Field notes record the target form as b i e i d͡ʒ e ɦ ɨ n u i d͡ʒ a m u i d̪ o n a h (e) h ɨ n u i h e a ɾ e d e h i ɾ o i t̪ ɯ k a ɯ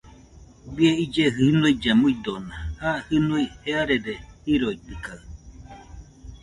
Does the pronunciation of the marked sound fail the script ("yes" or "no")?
yes